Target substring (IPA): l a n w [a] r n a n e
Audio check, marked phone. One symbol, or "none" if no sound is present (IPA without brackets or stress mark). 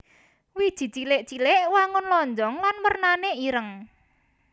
ə